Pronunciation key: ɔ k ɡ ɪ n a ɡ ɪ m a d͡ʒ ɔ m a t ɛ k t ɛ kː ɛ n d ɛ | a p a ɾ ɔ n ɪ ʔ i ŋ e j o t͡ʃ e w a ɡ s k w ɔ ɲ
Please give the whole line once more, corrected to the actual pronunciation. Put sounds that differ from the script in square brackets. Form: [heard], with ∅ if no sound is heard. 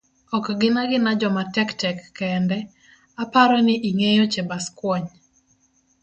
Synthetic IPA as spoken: ɔ k ɡ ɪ n a ɡ ɪ [n] a d͡ʒ ɔ m a t ɛ k t ɛ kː ɛ n d ɛ | a p a ɾ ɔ n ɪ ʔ i ŋ e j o t͡ʃ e [b] a [∅] s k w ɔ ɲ